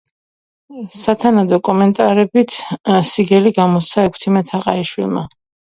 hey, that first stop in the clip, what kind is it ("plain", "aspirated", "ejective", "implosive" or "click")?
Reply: aspirated